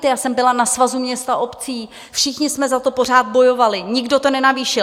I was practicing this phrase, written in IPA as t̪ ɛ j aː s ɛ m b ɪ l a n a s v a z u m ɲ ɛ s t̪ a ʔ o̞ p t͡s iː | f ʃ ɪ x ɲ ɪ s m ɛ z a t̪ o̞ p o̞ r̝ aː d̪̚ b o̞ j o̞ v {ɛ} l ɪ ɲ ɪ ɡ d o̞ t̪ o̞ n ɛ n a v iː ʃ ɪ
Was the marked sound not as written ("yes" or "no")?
yes